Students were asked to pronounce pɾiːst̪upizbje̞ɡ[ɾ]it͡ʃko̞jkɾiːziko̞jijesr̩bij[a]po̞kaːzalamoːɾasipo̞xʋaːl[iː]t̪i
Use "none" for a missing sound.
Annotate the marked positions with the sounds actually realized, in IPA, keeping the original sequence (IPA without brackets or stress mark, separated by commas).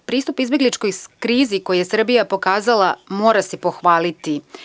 l, a, i